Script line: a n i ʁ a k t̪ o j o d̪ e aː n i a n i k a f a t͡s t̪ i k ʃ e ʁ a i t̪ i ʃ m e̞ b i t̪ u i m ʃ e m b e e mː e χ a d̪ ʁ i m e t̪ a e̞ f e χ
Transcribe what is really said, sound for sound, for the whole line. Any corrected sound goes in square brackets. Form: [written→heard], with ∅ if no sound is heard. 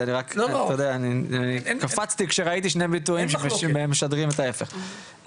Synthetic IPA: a n i ʁ a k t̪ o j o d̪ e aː n i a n i k a f a t͡s t̪ i k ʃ e ʁ a i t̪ i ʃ [m→n] e̞ b i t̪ u i m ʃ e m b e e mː e [χ→ʃ] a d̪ ʁ i m e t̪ a e̞ f e χ

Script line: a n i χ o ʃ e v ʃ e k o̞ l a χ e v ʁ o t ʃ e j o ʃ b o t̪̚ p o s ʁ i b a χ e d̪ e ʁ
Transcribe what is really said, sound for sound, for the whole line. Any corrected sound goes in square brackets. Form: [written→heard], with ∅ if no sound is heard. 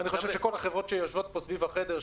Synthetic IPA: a n i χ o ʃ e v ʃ e k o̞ l a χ e v ʁ o t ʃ e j o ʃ [b→v] o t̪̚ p o s [ʁ→v] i [b→v] a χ e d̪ e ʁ

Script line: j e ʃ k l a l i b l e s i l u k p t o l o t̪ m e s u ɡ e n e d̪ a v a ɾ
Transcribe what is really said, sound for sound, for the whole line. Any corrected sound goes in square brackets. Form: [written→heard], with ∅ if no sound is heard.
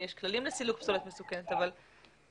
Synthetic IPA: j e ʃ k l a l i [b→m] l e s i l u k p [t→s] o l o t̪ m e s u [ɡ→k] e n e [d̪→t̪] a v a [ɾ→l]

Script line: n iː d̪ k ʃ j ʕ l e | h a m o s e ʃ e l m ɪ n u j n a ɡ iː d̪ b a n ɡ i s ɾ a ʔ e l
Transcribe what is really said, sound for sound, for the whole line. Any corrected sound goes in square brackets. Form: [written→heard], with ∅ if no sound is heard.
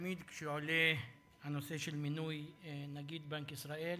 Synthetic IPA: [n→m] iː d̪ k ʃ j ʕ l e | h a [m→n] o s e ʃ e l m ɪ n u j n a ɡ iː d̪ b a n [ɡ→k] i s ɾ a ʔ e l

